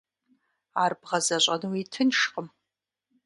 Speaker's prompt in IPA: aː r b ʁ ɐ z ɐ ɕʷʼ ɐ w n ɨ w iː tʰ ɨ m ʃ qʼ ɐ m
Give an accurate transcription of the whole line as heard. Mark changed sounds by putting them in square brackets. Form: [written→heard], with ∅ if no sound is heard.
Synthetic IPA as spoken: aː r b ʁ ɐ z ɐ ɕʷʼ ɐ [w→∅] n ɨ w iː tʰ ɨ [m→n] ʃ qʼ [ɐ→ə] m